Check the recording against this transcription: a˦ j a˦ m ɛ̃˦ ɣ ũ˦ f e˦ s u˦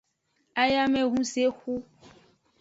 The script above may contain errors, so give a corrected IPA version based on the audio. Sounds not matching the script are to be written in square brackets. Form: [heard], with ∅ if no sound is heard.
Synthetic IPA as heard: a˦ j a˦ m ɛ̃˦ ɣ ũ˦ [s] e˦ [x] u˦